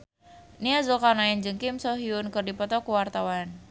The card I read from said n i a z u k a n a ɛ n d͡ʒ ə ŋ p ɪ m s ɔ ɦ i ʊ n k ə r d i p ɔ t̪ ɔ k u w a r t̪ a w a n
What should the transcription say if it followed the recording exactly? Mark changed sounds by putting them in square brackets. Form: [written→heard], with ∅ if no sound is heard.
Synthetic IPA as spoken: n i a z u k a n a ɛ n d͡ʒ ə ŋ [p→k] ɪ m s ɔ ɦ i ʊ n k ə r d i p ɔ t̪ ɔ k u w a r t̪ a w a n